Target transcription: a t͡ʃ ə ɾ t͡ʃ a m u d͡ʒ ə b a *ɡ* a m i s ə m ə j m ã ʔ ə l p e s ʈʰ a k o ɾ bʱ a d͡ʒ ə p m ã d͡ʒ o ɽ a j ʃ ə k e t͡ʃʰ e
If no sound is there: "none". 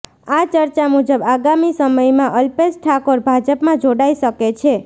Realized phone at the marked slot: ɡ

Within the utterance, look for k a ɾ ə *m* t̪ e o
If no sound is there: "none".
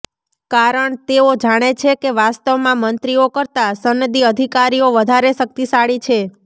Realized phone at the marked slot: ɳ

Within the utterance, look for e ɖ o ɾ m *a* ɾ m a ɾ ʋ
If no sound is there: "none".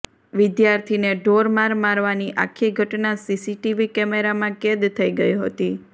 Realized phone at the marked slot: a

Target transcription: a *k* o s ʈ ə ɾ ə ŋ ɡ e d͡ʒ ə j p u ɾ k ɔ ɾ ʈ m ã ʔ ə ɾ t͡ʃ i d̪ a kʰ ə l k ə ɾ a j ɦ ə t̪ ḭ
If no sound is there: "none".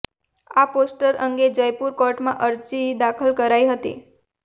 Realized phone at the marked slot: p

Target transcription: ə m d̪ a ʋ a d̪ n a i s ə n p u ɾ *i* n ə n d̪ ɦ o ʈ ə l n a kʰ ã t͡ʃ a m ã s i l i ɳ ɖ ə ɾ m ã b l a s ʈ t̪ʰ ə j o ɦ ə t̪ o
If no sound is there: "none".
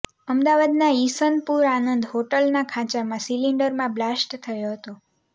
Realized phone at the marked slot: a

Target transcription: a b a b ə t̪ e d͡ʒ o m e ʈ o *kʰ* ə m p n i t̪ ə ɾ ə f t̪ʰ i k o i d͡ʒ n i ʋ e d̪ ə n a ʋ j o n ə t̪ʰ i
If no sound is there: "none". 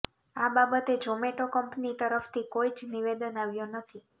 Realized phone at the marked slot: k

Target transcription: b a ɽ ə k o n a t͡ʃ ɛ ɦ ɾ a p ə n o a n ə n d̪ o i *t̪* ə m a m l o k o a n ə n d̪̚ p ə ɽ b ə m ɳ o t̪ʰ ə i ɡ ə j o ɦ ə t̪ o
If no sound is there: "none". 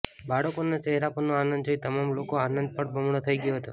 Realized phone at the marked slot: t̪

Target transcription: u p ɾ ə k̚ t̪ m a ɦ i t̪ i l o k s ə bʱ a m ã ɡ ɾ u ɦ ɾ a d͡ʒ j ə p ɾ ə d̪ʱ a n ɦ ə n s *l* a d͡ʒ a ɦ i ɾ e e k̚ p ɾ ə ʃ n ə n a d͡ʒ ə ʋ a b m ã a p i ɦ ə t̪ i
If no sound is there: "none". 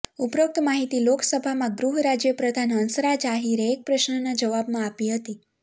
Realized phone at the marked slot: ɾ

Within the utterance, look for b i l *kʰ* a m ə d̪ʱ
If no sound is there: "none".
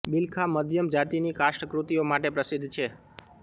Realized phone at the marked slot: kʰ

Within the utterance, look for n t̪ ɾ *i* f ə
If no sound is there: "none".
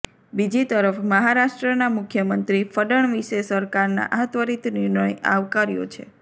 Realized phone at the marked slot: i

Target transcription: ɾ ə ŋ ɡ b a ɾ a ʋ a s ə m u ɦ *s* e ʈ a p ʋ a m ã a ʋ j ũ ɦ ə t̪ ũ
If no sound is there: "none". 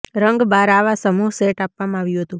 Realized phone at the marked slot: s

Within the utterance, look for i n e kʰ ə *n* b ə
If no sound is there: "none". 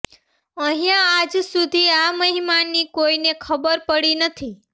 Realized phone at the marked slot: none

